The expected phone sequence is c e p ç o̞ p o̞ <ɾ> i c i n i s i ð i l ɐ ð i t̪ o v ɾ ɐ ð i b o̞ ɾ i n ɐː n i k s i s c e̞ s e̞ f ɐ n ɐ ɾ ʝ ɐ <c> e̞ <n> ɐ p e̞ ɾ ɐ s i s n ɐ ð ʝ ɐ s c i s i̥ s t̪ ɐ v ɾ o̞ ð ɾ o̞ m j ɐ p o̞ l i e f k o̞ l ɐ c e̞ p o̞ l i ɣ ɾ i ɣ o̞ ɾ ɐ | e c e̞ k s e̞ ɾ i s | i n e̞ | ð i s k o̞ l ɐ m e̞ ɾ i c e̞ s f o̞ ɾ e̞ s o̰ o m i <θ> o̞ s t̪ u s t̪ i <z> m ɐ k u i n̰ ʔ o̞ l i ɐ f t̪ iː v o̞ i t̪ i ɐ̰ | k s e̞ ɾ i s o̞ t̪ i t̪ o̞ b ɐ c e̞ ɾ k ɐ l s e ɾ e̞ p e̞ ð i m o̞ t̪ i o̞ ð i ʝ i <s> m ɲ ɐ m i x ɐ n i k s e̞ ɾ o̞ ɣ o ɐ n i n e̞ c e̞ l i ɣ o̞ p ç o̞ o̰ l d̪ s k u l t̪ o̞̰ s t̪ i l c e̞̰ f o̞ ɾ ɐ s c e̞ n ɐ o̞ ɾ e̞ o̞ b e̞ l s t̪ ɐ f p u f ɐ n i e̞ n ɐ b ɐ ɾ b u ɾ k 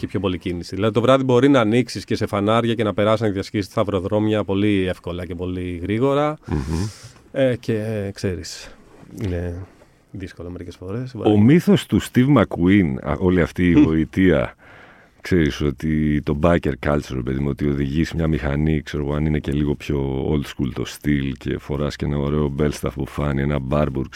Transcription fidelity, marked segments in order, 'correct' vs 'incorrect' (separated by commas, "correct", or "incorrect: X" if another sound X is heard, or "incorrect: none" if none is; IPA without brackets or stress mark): incorrect: l, correct, correct, correct, incorrect: v, correct